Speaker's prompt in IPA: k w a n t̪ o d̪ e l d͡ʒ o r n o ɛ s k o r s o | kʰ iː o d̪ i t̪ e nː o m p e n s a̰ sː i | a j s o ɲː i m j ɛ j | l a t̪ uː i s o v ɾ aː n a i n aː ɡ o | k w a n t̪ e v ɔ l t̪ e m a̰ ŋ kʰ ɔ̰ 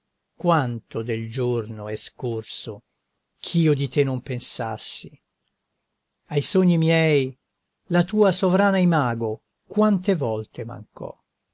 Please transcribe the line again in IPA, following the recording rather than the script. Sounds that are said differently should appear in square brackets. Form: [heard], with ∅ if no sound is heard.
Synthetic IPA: k w a n t̪ o d̪ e l d͡ʒ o r n o ɛ s k o r s o | kʰ iː o d̪ i t̪ e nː o m p e n s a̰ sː i | a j s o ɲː i m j ɛ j | l a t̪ uː [a] s o v ɾ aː n a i [m] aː ɡ o | k w a n t̪ e v ɔ l t̪ e m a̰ ŋ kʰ ɔ̰